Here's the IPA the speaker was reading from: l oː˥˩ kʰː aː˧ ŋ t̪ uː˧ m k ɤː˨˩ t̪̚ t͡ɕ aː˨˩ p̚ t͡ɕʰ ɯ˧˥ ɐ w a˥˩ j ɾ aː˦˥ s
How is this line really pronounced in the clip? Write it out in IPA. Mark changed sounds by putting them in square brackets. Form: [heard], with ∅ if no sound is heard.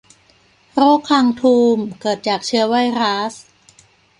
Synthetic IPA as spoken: [ɾ] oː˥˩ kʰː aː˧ ŋ [t̪ʰ] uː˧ m k ɤː˨˩ t̪̚ t͡ɕ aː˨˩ [k̚] t͡ɕʰ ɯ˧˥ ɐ w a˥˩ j ɾ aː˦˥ s